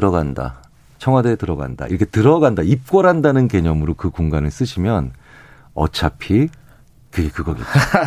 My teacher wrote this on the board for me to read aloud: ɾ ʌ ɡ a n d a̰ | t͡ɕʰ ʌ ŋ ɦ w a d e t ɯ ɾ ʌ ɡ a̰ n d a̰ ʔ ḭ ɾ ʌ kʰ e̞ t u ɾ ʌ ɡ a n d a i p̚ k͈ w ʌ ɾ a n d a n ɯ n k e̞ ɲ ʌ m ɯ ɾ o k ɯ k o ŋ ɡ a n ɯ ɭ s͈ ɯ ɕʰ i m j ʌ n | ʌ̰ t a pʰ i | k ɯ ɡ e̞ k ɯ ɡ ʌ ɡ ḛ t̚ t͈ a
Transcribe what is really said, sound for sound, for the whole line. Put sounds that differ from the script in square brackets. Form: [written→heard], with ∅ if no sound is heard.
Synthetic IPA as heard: ɾ ʌ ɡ a n d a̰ | t͡ɕʰ ʌ ŋ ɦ w a d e t ɯ ɾ ʌ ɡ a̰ n d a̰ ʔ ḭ ɾ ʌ kʰ e̞ t [u→ɯ] ɾ ʌ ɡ a n d a i p̚ k͈ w ʌ ɾ a n d a n ɯ n k e̞ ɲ ʌ m ɯ ɾ o k ɯ k o ŋ ɡ a n ɯ ɭ s͈ ɯ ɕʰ i m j ʌ n | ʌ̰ [t→t͡ɕʰ] a pʰ i | k ɯ ɡ e̞ k ɯ ɡ ʌ ɡ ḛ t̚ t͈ a